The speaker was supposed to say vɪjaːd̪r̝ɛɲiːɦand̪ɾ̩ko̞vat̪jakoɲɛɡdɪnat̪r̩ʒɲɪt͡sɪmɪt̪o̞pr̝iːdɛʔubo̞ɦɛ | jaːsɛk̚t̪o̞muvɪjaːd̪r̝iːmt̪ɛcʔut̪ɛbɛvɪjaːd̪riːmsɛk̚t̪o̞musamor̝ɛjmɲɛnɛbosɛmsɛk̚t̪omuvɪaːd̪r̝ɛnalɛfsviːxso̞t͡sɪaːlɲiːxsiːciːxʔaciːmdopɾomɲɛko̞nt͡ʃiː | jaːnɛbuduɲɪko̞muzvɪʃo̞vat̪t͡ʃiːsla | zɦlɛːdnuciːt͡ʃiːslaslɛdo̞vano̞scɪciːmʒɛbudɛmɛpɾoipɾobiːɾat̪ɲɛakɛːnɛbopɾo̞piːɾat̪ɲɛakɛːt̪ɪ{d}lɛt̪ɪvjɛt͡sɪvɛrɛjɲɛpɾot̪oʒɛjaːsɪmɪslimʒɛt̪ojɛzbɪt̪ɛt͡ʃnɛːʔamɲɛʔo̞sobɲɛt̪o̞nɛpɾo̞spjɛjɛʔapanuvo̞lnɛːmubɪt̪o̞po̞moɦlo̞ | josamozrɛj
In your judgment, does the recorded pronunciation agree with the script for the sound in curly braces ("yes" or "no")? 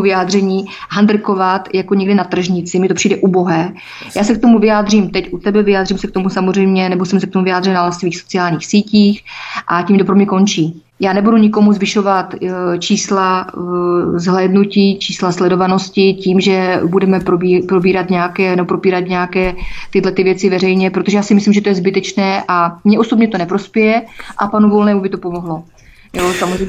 yes